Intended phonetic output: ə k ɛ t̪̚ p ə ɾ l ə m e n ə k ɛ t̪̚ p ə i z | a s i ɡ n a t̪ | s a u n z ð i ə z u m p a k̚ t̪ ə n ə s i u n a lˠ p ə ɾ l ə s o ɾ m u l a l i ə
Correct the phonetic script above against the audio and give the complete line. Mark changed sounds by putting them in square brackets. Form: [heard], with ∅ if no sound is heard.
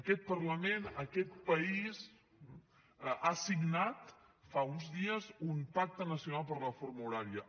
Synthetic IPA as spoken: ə k ɛ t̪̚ p ə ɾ l ə m e n ə k ɛ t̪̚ p ə i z | a s i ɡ n a t̪ | [f] a u n z ð i ə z u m p a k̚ t̪ ə n ə s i u n a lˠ p ə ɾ l ə [f] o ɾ m u [ɾ] a [ɾ] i ə